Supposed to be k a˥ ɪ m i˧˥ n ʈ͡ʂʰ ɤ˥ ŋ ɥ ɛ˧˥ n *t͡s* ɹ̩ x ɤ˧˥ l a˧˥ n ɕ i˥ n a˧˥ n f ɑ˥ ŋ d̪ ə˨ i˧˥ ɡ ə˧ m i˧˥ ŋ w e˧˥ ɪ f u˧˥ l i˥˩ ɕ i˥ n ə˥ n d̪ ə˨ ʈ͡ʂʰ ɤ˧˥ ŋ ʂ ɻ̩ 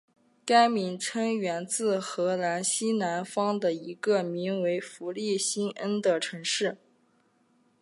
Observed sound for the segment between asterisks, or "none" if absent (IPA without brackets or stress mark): t͡s